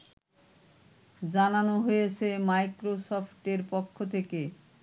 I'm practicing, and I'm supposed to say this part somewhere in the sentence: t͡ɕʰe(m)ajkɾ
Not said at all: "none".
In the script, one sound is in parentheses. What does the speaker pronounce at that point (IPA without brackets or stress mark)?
m